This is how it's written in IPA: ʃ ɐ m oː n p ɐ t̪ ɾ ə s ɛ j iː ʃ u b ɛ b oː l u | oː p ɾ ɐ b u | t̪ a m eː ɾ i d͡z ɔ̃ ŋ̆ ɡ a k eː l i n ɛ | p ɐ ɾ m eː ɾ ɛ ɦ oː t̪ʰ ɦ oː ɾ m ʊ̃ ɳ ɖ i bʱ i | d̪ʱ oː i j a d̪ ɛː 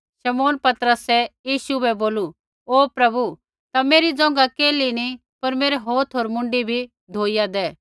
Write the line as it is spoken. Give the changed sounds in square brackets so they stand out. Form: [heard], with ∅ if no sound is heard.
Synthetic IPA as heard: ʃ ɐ m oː n p ɐ t̪ ɾ ə s ɛ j iː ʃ u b ɛ b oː l u | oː p ɾ ɐ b u | t̪ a m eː ɾ i d͡z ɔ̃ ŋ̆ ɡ a k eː l i n [i] | p ɐ ɾ m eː ɾ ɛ ɦ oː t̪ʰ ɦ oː ɾ m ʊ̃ ɳ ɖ i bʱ i | d̪ʱ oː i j a d̪ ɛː